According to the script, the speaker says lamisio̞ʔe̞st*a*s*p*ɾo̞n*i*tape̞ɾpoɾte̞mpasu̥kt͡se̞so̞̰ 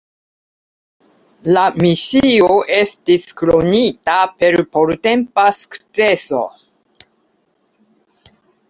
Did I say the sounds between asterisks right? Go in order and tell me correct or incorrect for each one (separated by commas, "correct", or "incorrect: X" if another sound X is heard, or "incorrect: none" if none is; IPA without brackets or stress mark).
incorrect: i, incorrect: k, correct